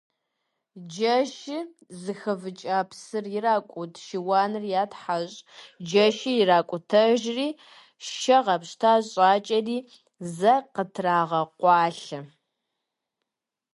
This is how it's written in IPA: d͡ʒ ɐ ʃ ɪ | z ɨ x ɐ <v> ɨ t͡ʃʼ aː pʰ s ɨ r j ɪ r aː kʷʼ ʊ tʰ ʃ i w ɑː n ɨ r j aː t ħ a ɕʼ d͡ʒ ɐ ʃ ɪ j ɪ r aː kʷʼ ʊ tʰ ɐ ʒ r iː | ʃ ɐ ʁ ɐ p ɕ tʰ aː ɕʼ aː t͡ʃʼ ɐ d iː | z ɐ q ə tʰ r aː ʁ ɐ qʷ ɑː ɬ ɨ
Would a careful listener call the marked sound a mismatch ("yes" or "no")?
no